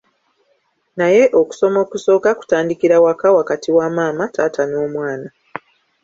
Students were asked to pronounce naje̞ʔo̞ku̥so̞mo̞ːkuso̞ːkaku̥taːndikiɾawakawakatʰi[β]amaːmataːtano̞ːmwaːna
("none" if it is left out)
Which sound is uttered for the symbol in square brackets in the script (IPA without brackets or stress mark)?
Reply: w